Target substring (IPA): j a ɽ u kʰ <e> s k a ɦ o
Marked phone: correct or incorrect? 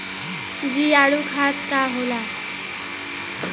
incorrect: a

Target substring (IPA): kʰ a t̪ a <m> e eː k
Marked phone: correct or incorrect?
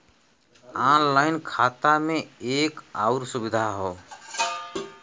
correct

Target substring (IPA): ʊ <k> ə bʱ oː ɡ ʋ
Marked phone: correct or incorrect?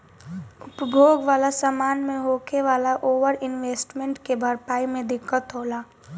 incorrect: p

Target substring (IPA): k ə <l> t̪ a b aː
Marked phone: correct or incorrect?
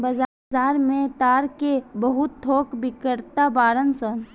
incorrect: ɾ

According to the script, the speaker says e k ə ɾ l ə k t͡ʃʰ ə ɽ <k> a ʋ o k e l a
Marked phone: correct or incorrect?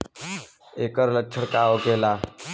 correct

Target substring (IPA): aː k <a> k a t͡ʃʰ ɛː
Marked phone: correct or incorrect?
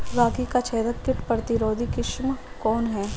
incorrect: i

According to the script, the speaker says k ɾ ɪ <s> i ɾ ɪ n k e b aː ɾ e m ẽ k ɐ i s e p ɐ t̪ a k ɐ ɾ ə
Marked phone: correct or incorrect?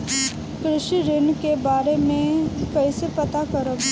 incorrect: ʃ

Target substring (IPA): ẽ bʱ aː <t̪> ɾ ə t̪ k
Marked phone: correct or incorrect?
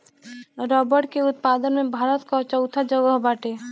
incorrect: none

